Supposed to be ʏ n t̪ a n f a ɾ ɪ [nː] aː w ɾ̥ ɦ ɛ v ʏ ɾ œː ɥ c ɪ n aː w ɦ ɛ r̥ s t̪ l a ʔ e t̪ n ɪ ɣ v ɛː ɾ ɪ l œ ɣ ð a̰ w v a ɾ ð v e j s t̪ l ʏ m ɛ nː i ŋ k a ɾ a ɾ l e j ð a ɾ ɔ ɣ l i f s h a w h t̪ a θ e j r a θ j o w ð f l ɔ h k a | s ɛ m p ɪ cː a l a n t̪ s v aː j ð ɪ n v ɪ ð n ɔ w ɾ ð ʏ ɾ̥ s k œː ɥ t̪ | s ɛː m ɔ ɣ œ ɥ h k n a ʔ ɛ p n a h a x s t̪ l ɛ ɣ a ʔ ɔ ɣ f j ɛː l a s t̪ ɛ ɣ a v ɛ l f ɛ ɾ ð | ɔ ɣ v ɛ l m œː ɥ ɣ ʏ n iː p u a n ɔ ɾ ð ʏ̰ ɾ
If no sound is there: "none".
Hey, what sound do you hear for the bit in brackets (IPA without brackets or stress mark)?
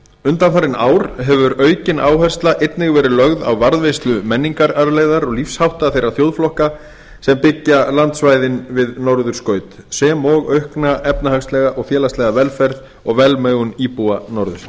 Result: n